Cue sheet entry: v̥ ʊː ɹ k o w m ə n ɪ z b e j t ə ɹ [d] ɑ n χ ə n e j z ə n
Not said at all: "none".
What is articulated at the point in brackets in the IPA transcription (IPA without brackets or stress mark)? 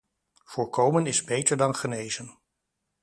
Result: d